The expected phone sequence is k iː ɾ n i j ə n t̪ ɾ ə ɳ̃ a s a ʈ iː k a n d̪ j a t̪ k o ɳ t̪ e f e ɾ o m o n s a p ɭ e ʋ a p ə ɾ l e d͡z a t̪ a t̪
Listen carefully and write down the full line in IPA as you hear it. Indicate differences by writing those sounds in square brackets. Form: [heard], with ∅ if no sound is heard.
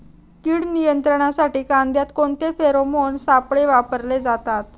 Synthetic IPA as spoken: k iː [ɽ] n i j ə n t̪ ɾ ə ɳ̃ a s a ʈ iː k a n d̪ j a t̪ k o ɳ t̪ e f e ɾ o m o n s a p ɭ e ʋ a p ə ɾ l e d͡z a t̪ a t̪